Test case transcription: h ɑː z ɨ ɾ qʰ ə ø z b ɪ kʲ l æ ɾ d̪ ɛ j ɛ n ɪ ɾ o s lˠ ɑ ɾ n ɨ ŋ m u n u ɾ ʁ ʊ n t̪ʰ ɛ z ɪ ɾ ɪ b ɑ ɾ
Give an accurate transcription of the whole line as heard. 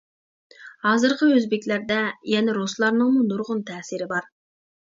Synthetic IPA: h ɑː z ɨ ɾ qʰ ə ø z b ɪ kʲ l æ ɾ d̪ ɛ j ɛ n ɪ ɾ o s lˠ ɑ ɾ n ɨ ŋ m u n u ɾ ʁ ʊ n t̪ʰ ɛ s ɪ ɾ ɪ b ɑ ɾ